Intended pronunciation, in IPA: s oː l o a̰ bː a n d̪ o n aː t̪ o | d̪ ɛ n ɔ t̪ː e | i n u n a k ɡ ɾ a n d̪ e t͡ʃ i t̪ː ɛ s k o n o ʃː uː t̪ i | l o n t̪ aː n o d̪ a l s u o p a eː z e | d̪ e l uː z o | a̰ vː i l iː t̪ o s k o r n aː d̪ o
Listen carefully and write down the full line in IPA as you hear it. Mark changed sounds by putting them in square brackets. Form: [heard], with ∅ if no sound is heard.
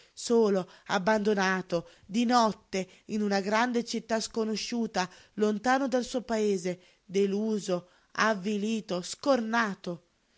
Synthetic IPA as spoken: s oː l o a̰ bː a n d̪ o n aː t̪ o | d̪ [i] n ɔ t̪ː e | i n u n a [∅] ɡ ɾ a n d̪ e t͡ʃ i t̪ː [a] s k o n o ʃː uː t̪ [a] | l o n t̪ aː n o d̪ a l s u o p a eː z e | d̪ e l uː z o | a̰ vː i l iː t̪ o s k o r n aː [t̪] o